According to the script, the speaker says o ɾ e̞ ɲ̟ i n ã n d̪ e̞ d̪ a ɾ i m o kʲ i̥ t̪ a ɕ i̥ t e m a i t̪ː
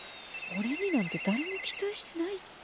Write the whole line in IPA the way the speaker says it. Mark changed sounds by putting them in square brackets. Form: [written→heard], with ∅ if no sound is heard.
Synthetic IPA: o ɾ e̞ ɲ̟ i n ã n [d̪→t̪] e̞ d̪ a ɾ [i→e] m o kʲ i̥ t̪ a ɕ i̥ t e [m→n] a i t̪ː